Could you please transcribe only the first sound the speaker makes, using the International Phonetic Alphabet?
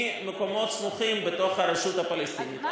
m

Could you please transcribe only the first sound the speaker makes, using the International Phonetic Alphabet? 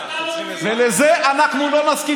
v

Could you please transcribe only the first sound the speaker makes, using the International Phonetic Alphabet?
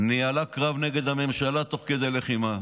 n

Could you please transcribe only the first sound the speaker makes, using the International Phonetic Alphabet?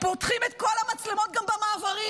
p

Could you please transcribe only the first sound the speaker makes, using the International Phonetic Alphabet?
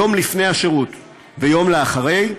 o̞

